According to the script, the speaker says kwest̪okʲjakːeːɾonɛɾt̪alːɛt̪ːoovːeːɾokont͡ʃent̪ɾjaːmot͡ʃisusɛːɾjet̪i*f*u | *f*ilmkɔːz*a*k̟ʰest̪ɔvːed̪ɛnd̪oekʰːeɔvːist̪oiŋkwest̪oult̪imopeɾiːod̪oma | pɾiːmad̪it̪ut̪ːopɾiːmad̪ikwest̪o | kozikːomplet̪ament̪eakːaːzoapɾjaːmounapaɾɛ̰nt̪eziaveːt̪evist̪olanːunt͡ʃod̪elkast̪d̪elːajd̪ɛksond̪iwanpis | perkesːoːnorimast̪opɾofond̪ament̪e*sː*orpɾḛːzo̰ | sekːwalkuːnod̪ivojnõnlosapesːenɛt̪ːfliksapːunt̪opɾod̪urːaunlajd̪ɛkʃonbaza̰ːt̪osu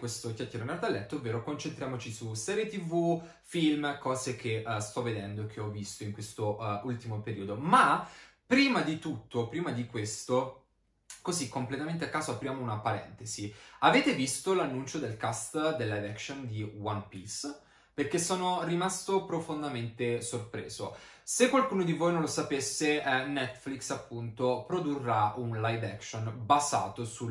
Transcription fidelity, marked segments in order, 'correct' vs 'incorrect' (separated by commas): incorrect, correct, incorrect, incorrect